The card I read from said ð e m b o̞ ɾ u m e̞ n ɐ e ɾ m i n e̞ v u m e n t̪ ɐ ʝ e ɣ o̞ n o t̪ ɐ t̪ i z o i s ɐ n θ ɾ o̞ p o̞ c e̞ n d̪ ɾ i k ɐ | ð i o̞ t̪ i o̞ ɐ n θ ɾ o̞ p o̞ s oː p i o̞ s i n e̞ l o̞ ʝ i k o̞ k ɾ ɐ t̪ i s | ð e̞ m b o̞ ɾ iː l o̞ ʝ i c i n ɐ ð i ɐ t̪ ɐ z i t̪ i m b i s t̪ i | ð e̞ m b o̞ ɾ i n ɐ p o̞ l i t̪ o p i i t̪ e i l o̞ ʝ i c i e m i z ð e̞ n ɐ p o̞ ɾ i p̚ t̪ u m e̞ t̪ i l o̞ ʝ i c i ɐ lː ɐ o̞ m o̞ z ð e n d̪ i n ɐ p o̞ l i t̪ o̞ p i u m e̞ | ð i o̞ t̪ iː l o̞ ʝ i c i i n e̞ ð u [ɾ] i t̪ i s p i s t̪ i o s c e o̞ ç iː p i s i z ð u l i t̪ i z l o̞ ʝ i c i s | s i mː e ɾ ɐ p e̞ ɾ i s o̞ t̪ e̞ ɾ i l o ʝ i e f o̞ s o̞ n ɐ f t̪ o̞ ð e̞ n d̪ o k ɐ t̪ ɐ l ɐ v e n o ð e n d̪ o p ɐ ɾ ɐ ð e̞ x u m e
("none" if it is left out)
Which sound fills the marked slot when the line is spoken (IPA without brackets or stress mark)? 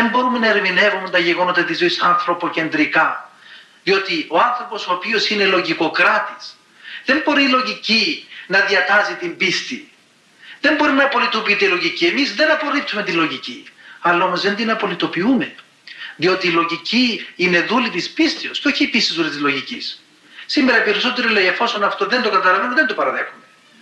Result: l